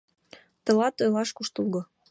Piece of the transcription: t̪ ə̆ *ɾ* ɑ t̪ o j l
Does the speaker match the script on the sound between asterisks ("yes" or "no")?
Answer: no